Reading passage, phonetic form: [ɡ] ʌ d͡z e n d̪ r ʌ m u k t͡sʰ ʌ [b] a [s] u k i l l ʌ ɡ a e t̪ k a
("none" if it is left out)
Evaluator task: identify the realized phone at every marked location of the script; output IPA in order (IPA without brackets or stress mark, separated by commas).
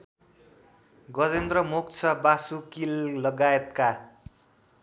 ɡ, b, s